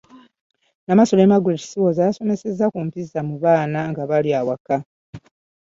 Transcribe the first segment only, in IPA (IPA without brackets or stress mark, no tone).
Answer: n